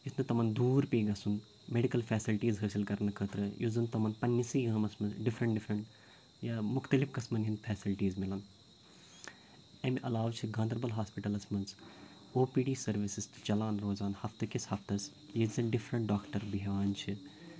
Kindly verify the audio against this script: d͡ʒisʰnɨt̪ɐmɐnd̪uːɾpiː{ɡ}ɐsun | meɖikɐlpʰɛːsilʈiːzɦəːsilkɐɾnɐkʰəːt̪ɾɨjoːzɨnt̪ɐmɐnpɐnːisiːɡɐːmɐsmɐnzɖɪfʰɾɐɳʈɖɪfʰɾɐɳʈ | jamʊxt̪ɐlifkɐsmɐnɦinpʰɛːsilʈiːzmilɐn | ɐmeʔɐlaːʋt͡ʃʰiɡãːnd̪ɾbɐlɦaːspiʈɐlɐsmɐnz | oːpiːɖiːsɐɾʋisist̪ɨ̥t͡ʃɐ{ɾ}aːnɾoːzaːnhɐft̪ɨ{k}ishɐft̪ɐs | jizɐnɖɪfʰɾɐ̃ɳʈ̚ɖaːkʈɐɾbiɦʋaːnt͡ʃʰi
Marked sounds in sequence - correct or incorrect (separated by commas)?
correct, incorrect, correct